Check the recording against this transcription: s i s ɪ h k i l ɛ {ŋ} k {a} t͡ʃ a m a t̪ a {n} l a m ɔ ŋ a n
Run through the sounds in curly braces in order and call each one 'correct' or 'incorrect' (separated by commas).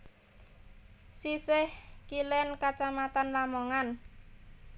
incorrect, correct, correct